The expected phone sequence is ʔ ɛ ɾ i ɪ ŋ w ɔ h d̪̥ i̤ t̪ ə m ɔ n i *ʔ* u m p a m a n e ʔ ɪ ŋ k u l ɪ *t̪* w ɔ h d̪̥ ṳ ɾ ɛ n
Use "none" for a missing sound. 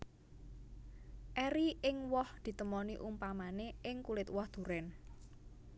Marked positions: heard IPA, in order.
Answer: ʔ, t̪

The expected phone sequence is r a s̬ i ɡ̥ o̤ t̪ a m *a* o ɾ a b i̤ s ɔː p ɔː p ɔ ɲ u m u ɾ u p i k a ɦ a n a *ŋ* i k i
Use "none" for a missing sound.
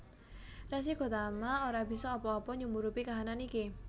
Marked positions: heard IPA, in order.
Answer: a, n

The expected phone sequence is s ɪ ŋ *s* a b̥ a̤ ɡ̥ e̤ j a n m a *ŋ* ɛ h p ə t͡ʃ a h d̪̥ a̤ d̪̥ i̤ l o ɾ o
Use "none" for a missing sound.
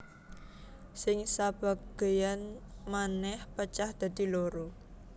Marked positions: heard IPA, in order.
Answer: s, n

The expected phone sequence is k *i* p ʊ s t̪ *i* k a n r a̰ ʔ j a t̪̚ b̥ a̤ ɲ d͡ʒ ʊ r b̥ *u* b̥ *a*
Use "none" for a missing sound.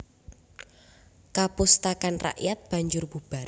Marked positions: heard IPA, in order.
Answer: a, a, u, a

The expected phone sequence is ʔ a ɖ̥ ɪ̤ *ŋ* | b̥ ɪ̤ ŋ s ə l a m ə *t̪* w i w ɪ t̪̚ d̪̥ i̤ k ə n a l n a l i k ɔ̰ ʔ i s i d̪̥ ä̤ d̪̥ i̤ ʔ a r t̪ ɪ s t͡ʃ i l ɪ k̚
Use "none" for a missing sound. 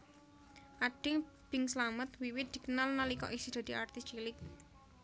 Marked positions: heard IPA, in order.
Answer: ŋ, t̪

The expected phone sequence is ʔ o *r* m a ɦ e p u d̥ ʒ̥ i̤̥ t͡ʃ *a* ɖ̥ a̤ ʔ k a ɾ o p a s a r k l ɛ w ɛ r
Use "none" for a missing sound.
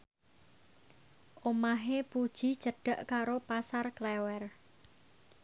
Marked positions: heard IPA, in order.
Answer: none, ə

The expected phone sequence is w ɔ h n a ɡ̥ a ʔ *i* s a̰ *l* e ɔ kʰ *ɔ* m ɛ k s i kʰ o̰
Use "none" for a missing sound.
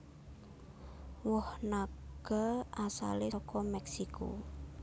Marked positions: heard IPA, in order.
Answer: a, l, ɔ

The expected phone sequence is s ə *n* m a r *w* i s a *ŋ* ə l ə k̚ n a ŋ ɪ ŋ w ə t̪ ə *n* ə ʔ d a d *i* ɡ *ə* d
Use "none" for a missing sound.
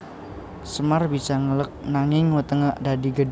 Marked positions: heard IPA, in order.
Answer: none, b, ŋ, ŋ, i, ə

